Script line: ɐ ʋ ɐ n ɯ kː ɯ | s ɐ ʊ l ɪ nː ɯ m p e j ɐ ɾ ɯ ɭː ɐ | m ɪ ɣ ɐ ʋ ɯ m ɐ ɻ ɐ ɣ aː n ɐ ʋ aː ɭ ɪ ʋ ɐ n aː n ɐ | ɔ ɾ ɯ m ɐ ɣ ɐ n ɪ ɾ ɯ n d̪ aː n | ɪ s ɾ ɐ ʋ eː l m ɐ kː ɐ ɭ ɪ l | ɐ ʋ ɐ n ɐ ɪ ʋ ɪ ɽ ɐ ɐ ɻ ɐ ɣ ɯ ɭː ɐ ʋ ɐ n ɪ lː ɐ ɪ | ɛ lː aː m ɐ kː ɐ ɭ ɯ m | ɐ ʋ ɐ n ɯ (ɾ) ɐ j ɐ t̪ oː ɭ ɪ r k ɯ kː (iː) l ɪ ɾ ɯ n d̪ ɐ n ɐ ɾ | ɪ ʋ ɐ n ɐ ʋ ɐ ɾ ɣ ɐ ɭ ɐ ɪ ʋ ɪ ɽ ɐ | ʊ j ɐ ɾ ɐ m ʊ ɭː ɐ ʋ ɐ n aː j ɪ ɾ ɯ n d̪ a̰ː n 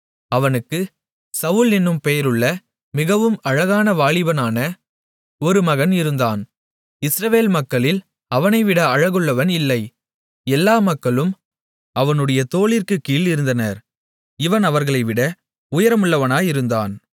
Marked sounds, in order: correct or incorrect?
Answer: incorrect, correct

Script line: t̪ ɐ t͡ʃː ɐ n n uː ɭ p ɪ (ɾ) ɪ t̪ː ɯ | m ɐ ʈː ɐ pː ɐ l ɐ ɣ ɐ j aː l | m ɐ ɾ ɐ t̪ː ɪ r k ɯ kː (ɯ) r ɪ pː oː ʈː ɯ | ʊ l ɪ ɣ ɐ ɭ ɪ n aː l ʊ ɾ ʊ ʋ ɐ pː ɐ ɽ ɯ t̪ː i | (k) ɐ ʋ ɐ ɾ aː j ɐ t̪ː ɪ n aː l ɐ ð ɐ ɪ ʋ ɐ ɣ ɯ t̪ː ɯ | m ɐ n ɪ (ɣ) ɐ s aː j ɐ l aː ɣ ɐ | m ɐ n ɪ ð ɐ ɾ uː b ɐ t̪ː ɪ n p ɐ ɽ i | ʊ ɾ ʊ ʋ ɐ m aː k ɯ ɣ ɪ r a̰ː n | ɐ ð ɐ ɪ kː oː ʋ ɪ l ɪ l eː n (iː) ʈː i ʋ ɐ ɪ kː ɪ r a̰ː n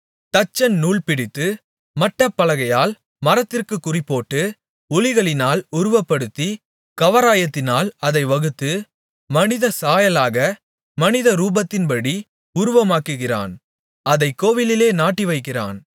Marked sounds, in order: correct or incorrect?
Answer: incorrect, incorrect, correct, incorrect, incorrect

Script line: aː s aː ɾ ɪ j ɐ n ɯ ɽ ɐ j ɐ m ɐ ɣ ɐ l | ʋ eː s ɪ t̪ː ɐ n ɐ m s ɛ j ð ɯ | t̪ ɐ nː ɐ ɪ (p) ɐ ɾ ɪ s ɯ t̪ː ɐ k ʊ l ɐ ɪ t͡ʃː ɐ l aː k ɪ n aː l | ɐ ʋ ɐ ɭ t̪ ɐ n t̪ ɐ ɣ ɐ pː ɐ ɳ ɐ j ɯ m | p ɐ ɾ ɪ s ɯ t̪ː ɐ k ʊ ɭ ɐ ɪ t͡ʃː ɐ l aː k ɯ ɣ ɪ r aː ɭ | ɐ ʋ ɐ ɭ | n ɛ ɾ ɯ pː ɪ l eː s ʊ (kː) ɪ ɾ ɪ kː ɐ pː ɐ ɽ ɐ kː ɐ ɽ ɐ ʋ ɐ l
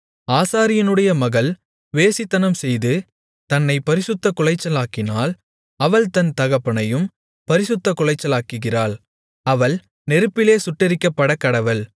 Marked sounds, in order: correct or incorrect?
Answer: correct, incorrect

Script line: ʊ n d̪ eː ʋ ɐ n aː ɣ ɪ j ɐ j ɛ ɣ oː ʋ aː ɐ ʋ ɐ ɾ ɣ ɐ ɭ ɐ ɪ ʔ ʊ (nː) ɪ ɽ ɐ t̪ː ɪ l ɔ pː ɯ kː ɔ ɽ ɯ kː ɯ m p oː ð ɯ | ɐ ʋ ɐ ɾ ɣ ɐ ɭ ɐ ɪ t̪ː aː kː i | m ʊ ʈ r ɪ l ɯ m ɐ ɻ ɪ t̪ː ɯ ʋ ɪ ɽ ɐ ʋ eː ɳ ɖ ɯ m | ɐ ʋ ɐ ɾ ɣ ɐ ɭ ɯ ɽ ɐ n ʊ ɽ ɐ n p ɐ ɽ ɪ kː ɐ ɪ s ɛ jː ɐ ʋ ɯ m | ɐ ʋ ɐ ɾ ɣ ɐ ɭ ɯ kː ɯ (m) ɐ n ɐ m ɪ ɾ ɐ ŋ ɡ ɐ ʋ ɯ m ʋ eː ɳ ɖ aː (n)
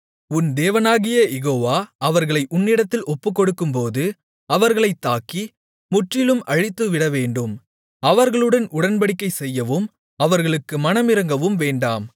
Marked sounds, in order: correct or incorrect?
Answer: correct, correct, incorrect

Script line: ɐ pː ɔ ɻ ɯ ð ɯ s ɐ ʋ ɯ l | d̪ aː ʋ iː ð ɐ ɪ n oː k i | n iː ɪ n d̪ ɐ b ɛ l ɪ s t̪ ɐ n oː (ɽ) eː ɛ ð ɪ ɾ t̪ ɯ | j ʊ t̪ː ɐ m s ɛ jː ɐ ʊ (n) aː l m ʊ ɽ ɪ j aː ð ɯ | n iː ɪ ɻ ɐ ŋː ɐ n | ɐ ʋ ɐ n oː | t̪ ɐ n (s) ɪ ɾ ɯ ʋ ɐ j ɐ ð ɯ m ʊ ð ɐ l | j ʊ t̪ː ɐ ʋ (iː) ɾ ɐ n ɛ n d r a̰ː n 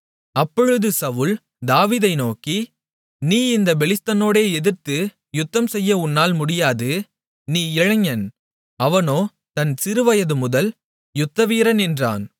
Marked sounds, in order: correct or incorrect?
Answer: correct, incorrect, correct, correct

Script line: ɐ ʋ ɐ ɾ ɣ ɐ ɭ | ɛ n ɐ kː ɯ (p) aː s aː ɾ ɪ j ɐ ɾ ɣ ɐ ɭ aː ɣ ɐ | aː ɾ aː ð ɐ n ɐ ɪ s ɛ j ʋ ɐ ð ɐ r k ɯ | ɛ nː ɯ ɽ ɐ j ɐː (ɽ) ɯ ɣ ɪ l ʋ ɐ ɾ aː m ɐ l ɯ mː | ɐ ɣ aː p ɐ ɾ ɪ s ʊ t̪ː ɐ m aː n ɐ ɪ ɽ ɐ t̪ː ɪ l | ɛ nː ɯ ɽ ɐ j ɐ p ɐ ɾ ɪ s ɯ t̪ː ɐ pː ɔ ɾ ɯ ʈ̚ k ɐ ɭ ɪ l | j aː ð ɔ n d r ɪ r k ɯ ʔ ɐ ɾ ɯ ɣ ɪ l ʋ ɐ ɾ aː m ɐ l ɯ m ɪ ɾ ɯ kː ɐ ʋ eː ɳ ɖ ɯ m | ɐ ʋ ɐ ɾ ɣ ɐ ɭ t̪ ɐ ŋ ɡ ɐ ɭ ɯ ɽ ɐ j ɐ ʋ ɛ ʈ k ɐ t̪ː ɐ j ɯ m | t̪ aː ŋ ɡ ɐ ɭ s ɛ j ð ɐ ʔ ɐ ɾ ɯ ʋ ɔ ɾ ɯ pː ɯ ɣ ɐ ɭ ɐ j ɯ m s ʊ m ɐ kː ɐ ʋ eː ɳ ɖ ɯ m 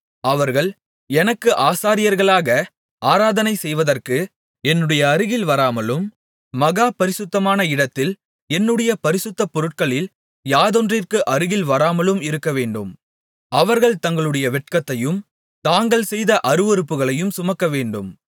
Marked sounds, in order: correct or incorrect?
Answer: incorrect, incorrect

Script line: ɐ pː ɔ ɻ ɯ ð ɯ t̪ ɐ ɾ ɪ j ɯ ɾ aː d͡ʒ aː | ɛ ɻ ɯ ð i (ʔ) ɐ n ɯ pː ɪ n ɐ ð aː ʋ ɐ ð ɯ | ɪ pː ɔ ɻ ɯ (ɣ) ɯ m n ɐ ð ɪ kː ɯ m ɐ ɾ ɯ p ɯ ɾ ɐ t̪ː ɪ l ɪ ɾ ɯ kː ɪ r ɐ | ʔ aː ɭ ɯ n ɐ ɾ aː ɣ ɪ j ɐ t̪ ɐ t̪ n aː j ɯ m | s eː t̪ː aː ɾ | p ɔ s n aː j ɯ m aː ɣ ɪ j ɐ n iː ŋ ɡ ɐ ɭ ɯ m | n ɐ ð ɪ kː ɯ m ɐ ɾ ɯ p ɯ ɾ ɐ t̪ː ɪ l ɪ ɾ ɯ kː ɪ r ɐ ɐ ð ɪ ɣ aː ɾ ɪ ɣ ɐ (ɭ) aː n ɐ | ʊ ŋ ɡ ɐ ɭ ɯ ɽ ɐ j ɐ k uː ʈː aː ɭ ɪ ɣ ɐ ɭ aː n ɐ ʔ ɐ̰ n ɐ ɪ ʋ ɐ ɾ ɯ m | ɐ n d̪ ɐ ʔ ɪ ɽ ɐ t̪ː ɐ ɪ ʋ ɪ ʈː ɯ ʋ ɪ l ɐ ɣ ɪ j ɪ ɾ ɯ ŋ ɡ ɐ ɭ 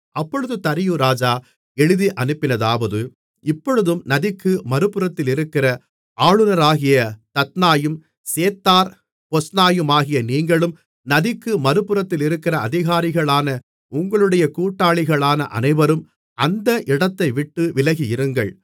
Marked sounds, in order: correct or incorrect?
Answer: correct, incorrect, correct

